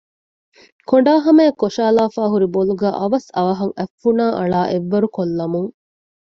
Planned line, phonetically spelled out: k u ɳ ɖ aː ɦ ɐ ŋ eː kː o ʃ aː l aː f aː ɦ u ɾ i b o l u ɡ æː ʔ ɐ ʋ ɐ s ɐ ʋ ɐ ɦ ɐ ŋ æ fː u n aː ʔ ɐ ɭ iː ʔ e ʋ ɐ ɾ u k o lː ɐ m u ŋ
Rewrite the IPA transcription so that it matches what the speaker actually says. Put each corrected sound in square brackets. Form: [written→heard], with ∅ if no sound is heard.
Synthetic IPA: k [u→o] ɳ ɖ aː ɦ ɐ [ŋ→m] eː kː o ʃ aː l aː f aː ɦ u ɾ i b o l u ɡ æː ʔ ɐ ʋ ɐ s ɐ ʋ ɐ ɦ ɐ ŋ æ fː u n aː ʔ ɐ ɭ [iː→aː] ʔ e [ʋ→ʋː] ɐ ɾ u k o lː ɐ m u ŋ